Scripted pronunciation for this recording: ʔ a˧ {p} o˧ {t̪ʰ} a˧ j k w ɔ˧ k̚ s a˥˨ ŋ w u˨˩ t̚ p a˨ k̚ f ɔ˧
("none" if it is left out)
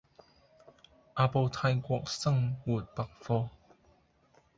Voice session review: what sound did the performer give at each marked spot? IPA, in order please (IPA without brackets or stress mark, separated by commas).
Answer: p, t̪ʰ